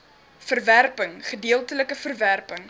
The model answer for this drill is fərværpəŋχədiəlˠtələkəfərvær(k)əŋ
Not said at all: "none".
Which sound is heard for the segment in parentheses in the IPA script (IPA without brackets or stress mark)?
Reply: p